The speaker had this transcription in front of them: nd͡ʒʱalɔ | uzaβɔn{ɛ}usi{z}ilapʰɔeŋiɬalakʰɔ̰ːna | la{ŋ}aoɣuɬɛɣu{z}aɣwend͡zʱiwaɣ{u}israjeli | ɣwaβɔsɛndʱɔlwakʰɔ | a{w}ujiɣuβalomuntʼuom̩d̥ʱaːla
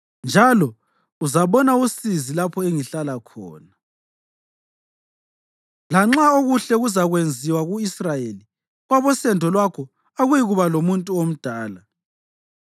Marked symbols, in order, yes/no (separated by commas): no, yes, no, yes, yes, no